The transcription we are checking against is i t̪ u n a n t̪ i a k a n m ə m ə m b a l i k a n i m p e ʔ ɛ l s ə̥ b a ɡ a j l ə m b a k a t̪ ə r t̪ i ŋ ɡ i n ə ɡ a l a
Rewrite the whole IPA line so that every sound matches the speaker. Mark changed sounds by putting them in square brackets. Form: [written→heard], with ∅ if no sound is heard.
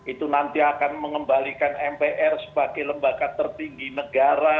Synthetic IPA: i t̪ u n a n t̪ i a k a n m ə [m→ŋ] ə m b a l i k a n [i→ɛ] m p e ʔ ɛ [l→r] s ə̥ b a ɡ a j l ə m b a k a t̪ ə r t̪ i ŋ ɡ i n ə ɡ a [l→ɾ] a